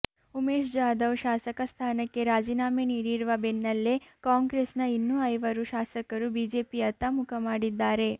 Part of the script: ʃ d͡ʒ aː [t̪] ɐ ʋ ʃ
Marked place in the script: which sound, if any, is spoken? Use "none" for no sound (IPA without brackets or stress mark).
d̪